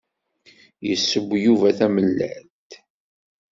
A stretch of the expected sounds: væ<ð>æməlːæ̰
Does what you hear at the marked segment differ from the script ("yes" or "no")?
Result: yes